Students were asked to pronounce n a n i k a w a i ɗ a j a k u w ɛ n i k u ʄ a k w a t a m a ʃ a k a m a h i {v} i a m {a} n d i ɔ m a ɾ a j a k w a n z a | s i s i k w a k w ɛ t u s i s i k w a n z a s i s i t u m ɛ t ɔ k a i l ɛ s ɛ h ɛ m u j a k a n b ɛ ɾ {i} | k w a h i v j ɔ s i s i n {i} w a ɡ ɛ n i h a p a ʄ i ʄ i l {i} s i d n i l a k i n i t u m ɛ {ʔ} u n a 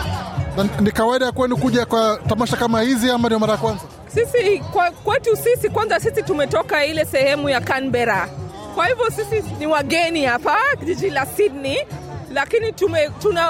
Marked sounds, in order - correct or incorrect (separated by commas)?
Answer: incorrect, correct, incorrect, correct, incorrect, incorrect